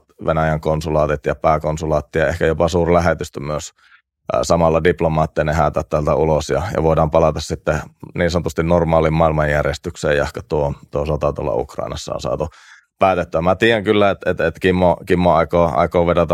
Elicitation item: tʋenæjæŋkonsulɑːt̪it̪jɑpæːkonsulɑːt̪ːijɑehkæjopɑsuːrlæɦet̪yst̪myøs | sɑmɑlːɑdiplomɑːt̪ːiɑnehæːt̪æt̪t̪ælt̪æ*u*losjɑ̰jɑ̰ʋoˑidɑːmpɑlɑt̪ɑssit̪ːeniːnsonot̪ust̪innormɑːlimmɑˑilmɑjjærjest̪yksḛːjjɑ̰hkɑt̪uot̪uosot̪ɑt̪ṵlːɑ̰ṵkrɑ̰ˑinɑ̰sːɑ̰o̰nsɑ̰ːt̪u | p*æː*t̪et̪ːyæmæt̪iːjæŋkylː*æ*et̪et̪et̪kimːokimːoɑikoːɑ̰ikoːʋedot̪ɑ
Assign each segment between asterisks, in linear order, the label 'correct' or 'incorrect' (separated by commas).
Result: correct, correct, correct